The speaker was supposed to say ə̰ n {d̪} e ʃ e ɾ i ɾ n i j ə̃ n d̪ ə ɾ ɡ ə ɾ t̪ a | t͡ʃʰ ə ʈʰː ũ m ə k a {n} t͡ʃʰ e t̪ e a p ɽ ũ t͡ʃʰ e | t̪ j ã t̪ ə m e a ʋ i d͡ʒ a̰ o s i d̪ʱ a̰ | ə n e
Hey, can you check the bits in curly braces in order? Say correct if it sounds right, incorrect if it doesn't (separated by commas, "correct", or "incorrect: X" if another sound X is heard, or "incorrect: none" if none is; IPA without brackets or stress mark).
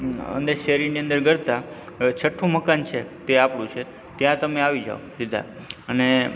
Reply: correct, correct